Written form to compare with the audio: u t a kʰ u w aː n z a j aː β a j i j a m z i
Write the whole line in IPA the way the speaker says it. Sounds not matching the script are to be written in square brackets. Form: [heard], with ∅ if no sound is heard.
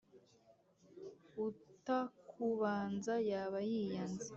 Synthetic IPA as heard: u t a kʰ u [β] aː n z a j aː β a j i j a [n] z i